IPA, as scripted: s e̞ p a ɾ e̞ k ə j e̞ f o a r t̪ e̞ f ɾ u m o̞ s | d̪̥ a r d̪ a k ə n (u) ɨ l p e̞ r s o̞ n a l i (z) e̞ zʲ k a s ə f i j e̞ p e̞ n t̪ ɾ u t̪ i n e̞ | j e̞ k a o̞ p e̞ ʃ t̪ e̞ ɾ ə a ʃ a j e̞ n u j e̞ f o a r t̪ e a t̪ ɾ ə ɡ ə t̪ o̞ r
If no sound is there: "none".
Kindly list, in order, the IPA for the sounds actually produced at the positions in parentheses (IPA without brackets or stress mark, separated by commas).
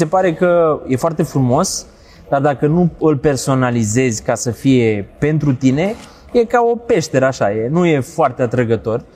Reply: u, z